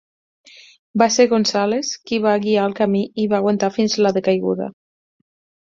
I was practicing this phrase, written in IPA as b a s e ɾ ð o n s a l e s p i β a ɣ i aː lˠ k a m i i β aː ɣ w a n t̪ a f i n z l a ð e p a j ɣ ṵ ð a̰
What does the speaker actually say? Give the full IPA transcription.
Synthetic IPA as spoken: b a s e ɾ ɣ o n s a l e s k i β a ɣ i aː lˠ k a m i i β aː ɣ w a n t̪ a f i n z l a ð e k a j ɣ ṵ ð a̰